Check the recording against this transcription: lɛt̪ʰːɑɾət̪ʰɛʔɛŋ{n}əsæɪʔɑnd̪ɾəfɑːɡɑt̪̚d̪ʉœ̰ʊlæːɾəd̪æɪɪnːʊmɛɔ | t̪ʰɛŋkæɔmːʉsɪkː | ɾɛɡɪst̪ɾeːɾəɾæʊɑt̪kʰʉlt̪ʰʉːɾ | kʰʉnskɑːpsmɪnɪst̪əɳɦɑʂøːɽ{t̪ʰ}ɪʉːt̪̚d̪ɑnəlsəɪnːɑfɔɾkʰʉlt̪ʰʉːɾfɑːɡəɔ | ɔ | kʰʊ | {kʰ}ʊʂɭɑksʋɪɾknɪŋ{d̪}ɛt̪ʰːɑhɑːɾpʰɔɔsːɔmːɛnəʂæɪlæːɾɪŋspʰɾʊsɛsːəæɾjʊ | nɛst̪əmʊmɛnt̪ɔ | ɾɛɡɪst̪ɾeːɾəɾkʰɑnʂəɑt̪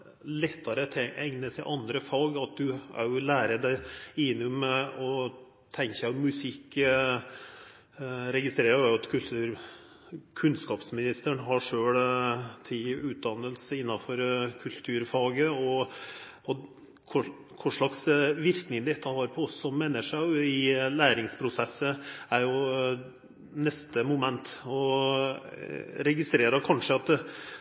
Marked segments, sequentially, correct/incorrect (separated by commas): correct, correct, correct, correct